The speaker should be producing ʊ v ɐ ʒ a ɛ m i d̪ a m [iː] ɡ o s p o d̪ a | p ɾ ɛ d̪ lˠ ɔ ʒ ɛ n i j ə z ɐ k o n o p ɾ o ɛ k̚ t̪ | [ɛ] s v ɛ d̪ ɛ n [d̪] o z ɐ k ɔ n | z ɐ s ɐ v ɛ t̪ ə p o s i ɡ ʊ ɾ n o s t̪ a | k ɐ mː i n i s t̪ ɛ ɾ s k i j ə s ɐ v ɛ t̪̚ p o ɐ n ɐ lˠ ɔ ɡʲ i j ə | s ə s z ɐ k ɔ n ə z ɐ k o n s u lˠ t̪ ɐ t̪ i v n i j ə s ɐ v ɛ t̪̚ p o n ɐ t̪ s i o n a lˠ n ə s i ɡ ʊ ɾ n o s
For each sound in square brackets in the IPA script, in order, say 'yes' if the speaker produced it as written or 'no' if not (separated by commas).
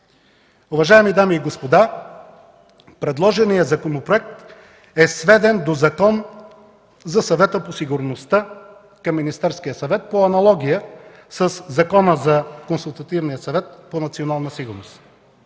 yes, yes, yes